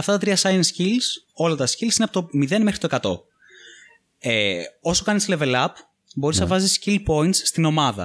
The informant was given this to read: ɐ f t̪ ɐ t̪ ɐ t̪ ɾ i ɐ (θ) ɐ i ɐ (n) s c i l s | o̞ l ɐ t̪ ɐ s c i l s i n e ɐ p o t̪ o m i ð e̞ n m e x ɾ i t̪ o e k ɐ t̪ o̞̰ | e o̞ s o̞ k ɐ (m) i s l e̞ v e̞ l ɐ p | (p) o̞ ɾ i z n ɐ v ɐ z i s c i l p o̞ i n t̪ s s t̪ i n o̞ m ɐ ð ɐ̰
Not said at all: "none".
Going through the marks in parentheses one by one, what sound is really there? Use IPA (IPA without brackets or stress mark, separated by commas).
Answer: s, n, n, b